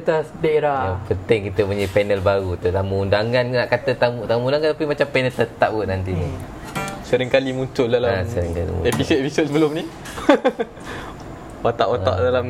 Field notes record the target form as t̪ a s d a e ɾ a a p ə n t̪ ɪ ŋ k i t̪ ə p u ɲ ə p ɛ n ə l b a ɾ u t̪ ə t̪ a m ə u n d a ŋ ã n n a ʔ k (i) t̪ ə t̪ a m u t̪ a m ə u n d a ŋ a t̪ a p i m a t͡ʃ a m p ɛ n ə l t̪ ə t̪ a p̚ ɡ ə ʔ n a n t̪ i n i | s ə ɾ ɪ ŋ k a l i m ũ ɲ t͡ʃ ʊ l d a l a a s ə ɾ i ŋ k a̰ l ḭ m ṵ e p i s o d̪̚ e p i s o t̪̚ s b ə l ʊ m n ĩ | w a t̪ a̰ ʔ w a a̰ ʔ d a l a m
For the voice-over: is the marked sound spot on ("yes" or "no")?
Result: no